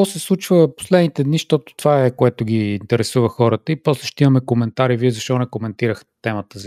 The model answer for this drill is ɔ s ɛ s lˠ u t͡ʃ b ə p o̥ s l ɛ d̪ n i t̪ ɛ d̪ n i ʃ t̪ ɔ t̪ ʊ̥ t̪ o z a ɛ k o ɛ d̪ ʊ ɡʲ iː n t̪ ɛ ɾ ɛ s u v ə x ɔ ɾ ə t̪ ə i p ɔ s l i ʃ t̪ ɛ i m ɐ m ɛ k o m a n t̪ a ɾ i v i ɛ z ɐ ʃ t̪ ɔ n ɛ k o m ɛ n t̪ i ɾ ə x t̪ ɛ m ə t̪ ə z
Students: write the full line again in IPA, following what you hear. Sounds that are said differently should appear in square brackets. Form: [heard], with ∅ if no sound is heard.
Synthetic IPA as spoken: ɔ s ɛ s lˠ u t͡ʃ [v] ə p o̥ s l ɛ d̪ n i t̪ ɛ d̪ n i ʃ t̪ ɔ t̪ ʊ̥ t̪ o [v] a ɛ k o ɛ [t̪] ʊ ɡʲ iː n t̪ ɛ ɾ ɛ s u v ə x ɔ ɾ ə t̪ ə i p ɔ s l [ɛ] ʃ t̪ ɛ i m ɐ m ɛ k o m [ɛ] n t̪ a ɾ i v i ɛ z ɐ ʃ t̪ ɔ n ɛ k o m ɛ n t̪ i ɾ ə x t̪ ɛ m ə t̪ ə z